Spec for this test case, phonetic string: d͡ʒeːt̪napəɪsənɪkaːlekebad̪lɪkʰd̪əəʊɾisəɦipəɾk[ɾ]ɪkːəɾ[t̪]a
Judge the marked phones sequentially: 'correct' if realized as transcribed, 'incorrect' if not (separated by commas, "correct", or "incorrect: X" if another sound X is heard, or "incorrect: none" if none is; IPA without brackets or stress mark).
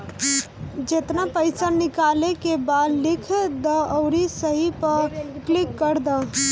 incorrect: l, incorrect: d̪